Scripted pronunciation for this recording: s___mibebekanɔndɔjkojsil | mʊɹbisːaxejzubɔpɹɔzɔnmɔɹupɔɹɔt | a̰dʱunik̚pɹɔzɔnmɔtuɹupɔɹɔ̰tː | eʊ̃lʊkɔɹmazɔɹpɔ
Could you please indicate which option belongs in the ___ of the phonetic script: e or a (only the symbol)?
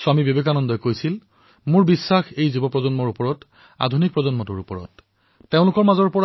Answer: a